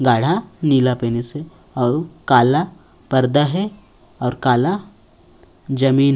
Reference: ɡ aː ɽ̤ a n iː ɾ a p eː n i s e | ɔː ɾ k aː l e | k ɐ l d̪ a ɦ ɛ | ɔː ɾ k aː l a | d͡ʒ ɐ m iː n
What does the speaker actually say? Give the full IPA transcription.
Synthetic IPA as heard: ɡ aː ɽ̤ a n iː l a p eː n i s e | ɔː ɾ k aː l a | p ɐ ɾ d̪ a ɦ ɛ | ɔː ɾ k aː l a | d͡ʒ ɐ m iː n